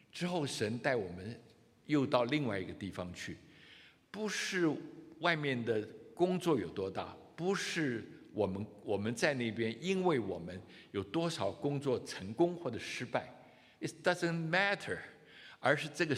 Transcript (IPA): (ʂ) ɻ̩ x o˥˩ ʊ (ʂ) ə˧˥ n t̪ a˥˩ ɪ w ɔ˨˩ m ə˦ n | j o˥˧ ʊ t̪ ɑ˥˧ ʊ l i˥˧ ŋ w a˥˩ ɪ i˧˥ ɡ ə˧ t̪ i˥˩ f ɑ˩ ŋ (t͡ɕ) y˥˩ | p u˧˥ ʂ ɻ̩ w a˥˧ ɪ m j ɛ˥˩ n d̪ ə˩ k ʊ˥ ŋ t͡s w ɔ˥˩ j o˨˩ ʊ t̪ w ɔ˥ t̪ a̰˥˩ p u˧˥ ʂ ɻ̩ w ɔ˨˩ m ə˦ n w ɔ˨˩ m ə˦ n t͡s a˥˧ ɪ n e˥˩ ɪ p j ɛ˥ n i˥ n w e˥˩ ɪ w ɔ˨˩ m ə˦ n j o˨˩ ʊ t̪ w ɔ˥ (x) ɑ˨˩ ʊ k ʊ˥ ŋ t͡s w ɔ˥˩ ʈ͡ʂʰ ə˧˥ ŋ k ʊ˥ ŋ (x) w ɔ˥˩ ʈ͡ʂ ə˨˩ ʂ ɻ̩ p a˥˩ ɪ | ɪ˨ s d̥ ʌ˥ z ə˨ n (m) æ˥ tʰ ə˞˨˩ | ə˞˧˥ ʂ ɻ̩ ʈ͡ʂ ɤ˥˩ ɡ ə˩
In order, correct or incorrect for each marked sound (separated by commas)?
incorrect, correct, incorrect, incorrect, correct, correct